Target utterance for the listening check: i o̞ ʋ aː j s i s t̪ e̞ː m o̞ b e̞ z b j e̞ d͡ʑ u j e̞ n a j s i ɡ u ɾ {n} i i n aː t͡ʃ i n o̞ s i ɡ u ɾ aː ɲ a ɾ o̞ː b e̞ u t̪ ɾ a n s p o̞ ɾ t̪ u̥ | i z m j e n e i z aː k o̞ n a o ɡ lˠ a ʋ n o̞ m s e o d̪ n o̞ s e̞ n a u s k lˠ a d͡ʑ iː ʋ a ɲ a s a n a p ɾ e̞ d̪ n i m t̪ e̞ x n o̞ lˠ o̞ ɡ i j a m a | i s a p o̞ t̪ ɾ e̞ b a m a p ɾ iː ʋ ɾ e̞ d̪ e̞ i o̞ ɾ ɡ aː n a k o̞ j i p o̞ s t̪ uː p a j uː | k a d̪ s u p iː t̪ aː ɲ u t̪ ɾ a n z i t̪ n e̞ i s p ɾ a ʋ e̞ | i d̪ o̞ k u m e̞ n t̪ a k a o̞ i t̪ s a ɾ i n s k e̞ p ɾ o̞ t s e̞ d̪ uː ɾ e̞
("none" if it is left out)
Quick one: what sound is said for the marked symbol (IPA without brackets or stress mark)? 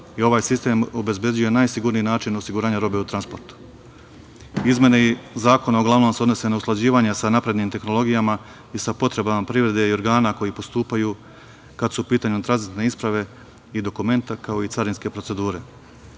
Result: n